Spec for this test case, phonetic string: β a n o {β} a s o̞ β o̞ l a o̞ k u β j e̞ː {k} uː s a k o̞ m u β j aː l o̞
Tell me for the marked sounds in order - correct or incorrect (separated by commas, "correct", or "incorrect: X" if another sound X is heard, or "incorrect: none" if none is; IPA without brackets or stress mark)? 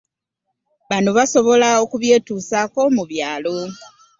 correct, incorrect: t